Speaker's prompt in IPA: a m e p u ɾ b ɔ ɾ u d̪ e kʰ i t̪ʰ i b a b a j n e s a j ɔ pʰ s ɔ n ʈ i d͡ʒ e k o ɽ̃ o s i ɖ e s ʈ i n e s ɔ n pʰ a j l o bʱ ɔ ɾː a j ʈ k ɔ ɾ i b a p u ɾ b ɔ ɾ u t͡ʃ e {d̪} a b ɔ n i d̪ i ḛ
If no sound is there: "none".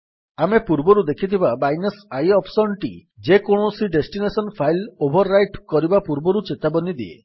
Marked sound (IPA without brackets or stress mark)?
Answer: t̪